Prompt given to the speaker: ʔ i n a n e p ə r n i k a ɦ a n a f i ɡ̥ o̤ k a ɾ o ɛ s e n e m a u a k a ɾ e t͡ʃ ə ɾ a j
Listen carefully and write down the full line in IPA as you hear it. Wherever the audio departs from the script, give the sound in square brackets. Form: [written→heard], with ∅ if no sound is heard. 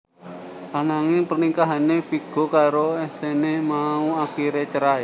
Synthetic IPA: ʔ [i→a] n a [n→ŋ] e p ə r n i k a ɦ a n [a→e] f i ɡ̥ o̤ k a ɾ o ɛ s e n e m a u a k [a→i] ɾ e t͡ʃ ə ɾ a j